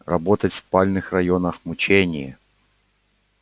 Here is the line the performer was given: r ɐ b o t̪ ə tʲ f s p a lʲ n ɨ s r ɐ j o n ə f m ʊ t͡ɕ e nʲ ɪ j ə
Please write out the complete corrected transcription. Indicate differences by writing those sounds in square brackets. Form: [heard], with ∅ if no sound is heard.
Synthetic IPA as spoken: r ɐ b o t̪ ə tʲ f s p a lʲ n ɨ [x] r ɐ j o n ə [x] m ʊ t͡ɕ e nʲ ɪ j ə